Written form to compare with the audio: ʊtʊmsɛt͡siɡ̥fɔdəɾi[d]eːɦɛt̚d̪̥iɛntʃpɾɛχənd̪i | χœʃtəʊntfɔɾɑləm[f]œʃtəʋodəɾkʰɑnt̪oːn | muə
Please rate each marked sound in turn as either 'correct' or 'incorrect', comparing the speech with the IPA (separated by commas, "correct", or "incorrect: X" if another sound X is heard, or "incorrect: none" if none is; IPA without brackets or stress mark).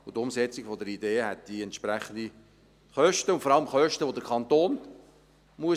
correct, incorrect: χ